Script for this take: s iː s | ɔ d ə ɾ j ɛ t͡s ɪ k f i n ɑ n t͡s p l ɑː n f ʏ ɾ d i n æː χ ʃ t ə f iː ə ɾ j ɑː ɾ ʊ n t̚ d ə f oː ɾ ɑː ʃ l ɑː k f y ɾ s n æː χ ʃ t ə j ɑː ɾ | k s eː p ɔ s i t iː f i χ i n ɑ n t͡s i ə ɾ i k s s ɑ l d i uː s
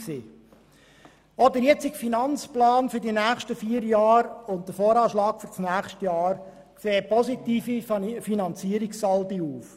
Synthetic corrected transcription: s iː | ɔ d ə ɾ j ɛ t͡s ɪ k f i n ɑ n t͡s p l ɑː n f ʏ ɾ d i n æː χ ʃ t ə f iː ə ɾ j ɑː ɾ ʊ n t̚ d ə f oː ɾ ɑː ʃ l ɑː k f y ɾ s n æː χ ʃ t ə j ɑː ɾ | k s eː p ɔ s i t iː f i f i n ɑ n t͡s i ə ɾ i k s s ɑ l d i uː f

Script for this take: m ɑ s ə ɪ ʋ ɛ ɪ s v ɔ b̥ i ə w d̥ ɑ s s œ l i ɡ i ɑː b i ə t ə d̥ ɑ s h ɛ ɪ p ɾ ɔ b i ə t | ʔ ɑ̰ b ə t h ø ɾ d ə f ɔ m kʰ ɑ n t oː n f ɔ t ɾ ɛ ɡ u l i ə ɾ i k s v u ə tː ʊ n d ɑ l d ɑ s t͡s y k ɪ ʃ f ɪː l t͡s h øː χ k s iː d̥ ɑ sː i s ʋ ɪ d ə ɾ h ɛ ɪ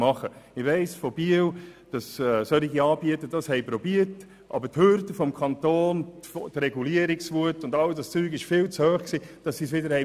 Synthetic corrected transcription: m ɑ χ ə ɪ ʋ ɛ ɪ s f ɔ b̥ i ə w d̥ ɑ s s œ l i ɡ i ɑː b i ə t ə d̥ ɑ s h ɛ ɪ p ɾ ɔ b i ə t | ʔ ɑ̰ b ə t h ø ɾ d ə f ɔ m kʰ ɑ n t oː n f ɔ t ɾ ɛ ɡ u l i ə ɾ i k s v u ə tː ʊ n d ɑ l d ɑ s t͡s yː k ɪ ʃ f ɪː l t͡s h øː χ k s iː d̥ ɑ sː i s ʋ ɪ d ə ɾ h ɛ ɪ

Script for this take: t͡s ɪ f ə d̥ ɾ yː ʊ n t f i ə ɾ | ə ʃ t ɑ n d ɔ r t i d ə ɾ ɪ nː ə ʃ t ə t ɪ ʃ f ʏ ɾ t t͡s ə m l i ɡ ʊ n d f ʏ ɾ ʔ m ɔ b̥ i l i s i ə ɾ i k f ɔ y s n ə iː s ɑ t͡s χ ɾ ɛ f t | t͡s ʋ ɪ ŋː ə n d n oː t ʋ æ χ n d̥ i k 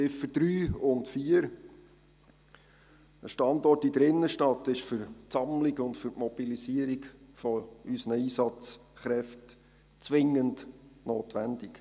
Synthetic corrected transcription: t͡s ɪ f ə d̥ ɾ yː ʊ n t f i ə ɾ | ə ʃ t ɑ n d ɔ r t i d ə ɾ ɪ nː ə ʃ t ɑ t ɪ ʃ f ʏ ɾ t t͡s ɑ m l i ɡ ʊ n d f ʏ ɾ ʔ m ɔ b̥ i l i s i ə ɾ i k f ɔ y s n ə iː s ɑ t͡s χ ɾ ɛ f t | t͡s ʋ ɪ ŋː ə n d n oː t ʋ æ n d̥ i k

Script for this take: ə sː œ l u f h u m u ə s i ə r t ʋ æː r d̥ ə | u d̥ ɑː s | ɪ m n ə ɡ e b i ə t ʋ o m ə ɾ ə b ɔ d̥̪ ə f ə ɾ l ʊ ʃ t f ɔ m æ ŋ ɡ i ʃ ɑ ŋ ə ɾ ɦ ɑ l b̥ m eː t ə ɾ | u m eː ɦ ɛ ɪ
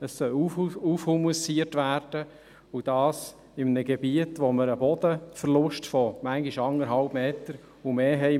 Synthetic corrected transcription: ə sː œ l u f h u m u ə s i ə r t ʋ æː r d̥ ə | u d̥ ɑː s | ɪ m n ə ɡ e b i ə t ʋ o m ə ɾ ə b ɔ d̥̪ ə f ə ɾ l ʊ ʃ t f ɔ m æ ŋ ɡ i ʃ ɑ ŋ ə ɾ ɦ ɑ l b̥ m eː t ə ɾ | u m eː ɦ ɛ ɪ

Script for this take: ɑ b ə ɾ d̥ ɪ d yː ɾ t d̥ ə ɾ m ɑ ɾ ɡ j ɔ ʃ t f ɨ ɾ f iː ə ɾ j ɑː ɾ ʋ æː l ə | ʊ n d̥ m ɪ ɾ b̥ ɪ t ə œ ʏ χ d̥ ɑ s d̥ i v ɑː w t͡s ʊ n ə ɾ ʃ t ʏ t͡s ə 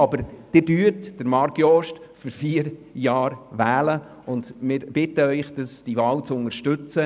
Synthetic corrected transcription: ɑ b ə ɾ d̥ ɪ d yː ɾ t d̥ ə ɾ m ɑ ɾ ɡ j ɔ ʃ t f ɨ ɾ f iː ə ɾ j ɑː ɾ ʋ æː l ə | ʊ n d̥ m ɪ ɾ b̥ ɪ t ə œ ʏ χ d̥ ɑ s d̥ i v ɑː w t͡s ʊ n ə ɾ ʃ t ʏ t͡s ə

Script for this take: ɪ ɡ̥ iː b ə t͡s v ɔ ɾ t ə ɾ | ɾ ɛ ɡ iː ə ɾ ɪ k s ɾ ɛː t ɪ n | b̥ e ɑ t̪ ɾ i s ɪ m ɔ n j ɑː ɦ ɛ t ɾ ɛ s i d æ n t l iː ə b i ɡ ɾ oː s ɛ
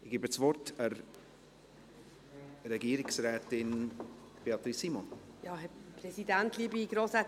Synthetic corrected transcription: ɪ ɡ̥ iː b ə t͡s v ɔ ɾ t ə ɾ | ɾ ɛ ɡ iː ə ɾ ɪ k s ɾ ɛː t ɪ n | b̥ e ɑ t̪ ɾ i s i m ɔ n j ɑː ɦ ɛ p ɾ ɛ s i d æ n t l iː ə b i ɡ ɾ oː s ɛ

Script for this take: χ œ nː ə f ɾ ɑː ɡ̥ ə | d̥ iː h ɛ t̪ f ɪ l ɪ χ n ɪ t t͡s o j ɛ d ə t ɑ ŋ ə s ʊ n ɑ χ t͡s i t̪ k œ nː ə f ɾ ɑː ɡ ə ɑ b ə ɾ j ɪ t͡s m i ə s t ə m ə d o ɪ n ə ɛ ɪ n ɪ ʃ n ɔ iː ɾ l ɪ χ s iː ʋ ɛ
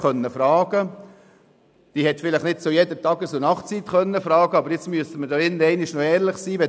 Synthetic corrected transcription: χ œ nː ə f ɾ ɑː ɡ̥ ə | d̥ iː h ɛ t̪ f ɪ l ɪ χ n ɪ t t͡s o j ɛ d ə t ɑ ɡ ə s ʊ n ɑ χ t͡s i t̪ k œ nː ə f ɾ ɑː ɡ ə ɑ b ə ɾ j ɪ t͡s m y ə s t ə m ə d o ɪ n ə ɛ ɪ n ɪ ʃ n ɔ ɛː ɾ l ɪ χ s iː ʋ ɛ

